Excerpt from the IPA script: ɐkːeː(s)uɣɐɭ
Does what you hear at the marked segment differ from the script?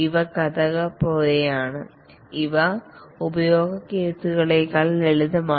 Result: no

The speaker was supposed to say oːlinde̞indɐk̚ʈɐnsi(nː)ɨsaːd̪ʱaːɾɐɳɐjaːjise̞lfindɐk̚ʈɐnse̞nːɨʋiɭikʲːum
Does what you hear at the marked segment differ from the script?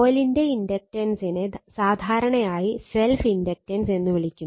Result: yes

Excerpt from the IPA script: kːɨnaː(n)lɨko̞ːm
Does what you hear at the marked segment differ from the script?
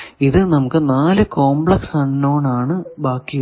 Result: yes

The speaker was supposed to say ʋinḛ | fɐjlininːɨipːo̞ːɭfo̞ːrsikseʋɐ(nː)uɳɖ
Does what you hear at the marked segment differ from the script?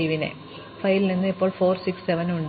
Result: yes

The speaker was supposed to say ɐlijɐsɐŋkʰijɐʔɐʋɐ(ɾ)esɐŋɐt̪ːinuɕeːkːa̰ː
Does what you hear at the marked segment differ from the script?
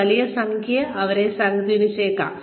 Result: no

